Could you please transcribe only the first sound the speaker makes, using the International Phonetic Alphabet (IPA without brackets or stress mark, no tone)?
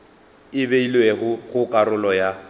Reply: ɪ